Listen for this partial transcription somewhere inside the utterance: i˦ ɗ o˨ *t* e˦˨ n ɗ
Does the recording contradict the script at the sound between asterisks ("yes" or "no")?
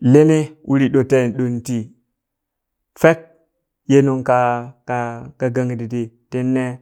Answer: no